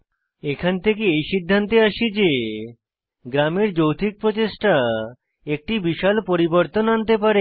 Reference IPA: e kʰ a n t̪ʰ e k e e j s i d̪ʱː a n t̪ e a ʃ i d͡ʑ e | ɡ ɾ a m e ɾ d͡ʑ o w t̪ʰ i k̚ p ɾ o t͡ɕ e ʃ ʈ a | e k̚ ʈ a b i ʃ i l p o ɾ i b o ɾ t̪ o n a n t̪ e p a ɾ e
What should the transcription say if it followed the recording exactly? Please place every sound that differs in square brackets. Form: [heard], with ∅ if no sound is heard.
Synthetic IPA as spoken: e kʰ a n t̪ʰ e k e e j [ʃ] i d̪ʱː a n t̪ e a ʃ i d͡ʑ e | ɡ ɾ a m e ɾ d͡ʑ o w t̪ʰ i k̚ p ɾ o t͡ɕ e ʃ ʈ a | e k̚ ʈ [i] b i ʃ [a] l p o ɾ i b o ɾ t̪ o n a n t̪ e p a ɾ e